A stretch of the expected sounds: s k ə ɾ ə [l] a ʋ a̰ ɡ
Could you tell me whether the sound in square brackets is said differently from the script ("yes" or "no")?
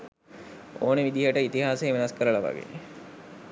no